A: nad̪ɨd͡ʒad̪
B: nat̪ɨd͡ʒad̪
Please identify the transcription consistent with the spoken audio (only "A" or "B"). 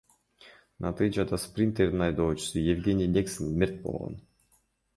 B